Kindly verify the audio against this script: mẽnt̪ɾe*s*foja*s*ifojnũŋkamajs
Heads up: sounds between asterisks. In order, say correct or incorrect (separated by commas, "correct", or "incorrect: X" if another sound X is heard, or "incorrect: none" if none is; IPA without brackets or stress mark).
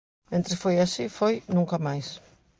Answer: correct, correct